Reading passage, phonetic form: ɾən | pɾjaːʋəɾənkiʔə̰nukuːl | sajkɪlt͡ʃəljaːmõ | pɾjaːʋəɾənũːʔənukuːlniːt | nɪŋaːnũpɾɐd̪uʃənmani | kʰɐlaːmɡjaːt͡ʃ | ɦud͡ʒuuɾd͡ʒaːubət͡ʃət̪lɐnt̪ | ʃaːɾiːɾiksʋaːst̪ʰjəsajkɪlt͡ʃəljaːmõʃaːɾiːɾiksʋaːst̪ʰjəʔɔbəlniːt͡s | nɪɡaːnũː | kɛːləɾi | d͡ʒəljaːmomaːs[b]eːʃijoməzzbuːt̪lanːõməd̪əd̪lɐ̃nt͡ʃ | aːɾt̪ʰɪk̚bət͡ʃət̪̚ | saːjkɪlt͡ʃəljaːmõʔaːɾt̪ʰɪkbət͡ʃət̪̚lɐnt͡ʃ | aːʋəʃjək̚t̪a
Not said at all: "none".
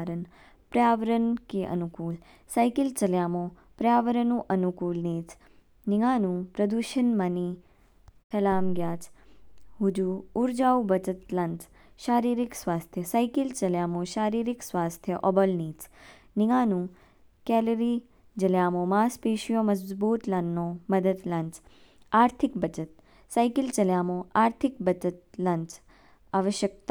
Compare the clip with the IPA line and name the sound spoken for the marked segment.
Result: p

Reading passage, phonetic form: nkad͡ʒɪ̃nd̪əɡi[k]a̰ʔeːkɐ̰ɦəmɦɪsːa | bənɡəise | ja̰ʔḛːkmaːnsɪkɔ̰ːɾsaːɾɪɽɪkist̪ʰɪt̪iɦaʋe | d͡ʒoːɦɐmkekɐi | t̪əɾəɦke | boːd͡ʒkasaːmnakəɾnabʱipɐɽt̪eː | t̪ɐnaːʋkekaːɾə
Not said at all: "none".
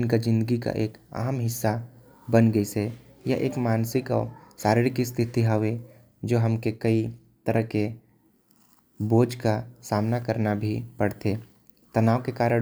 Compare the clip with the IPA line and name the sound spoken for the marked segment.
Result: k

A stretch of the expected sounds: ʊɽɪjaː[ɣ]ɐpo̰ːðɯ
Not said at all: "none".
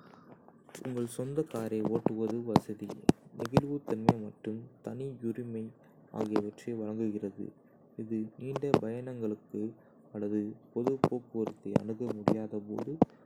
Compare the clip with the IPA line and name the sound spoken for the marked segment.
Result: ð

